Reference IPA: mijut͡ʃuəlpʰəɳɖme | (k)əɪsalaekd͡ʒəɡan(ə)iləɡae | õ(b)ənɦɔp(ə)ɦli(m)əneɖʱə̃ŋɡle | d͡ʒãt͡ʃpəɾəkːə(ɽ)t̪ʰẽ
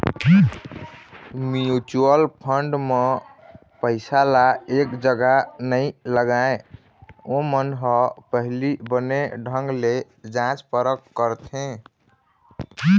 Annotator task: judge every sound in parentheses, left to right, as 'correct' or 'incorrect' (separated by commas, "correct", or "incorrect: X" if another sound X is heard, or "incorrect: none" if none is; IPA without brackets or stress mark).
incorrect: p, correct, incorrect: m, correct, incorrect: b, incorrect: ɾ